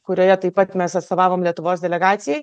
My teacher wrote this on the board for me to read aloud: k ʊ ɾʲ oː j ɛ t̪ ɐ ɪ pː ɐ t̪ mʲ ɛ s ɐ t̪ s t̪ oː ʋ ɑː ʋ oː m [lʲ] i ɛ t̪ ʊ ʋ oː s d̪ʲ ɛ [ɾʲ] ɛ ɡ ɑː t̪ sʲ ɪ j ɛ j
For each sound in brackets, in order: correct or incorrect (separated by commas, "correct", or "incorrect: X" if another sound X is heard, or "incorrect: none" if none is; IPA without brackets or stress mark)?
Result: correct, incorrect: lʲ